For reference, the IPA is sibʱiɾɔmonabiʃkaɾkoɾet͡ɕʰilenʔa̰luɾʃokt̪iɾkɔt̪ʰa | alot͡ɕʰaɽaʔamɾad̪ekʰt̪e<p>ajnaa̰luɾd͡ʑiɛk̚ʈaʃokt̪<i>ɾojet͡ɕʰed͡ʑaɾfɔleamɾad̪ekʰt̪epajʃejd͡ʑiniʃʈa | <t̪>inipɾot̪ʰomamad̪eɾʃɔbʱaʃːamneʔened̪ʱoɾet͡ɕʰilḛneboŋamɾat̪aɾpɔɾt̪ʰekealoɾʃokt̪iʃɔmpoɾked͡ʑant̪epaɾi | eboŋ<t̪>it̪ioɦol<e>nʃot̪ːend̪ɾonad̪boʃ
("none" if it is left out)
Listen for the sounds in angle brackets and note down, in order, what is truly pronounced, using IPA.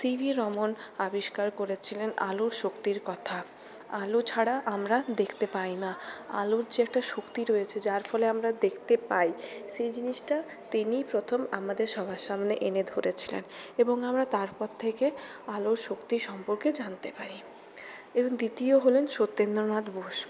p, i, t̪, d̪, e

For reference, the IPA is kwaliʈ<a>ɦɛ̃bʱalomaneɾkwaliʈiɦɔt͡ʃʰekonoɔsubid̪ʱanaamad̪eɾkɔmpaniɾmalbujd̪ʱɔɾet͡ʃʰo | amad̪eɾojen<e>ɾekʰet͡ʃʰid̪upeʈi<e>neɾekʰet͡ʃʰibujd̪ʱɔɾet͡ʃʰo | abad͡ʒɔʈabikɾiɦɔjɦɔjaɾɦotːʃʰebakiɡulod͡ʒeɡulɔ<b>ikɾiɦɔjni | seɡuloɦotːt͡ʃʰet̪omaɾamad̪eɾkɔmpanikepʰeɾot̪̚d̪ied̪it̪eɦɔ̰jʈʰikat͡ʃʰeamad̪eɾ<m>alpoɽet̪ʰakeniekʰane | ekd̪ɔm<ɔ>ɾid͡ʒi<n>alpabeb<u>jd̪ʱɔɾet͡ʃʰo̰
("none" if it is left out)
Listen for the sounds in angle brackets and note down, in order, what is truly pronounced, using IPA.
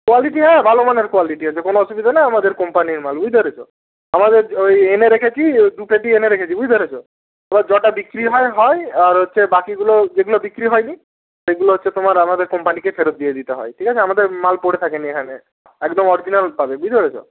i, e, e, b, m, ɔ, n, u

